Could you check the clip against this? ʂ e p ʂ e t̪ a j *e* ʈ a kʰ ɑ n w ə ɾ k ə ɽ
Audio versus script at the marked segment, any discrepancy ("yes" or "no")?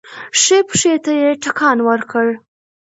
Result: no